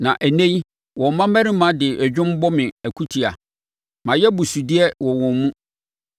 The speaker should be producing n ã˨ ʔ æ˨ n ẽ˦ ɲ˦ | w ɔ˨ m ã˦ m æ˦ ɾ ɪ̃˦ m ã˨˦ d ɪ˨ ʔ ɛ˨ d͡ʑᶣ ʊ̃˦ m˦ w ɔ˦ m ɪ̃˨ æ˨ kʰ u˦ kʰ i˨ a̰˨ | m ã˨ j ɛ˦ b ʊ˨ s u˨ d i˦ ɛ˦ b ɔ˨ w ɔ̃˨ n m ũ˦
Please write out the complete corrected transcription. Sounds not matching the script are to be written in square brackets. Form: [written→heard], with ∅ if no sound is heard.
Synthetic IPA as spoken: n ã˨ ʔ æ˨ n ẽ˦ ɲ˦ | w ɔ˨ m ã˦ m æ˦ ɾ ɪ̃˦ m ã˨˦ d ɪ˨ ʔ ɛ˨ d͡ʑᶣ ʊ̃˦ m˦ [w→b] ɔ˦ m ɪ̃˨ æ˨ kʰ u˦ [kʰ→tʰ] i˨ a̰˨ | m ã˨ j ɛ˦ b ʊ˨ s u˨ d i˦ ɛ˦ [b→w] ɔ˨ w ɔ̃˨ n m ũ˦